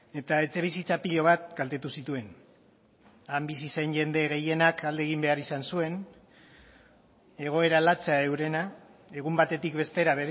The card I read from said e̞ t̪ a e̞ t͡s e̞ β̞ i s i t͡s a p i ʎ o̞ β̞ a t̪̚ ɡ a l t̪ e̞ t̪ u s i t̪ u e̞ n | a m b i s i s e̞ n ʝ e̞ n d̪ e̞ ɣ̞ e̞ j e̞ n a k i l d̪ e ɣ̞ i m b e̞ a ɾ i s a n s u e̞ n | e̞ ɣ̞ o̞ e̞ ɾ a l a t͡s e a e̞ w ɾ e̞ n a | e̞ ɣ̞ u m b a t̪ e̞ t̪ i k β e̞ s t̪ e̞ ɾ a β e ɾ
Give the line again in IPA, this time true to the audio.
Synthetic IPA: e̞ t̪ a e̞ t͡s e̞ β̞ i s i t͡s a p i ʎ o̞ β̞ a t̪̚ ɡ a l t̪ e̞ t̪ u s i t̪ u e̞ n | a m b i s i s e̞ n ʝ e̞ n d̪ e̞ ɣ̞ e̞ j e̞ n a k a l d̪ e ɣ̞ i m b e̞ a ɾ i s a n s u e̞ n | e̞ ɣ̞ o̞ e̞ ɾ a l a t͡s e a e̞ w ɾ e̞ n a | e̞ ɣ̞ u m b a t̪ e̞ t̪ i k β e̞ s t̪ e̞ ɾ a β e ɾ